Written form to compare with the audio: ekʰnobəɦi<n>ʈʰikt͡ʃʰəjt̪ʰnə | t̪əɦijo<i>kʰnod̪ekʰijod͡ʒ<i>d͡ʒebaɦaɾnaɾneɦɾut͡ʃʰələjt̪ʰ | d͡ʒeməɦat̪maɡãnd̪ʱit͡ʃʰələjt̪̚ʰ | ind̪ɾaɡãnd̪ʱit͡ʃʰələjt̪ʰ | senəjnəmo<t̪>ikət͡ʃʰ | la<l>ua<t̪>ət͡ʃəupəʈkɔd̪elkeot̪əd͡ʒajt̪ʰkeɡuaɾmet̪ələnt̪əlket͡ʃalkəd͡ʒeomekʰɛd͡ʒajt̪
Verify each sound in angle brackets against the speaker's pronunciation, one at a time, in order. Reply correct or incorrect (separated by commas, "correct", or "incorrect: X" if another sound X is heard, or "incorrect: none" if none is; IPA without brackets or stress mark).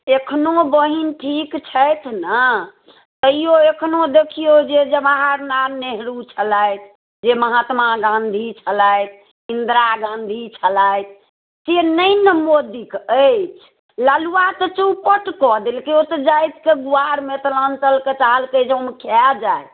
correct, incorrect: e, incorrect: e, incorrect: d̪, correct, correct